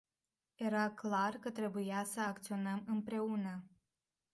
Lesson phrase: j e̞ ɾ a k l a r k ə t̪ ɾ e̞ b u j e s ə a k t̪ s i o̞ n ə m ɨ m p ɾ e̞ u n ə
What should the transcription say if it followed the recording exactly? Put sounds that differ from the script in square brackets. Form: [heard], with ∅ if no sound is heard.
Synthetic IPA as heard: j e̞ ɾ a k l a r k ə t̪ ɾ e̞ b u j [a] s ə a k t̪ s i o̞ n ə m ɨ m p ɾ e̞ u n ə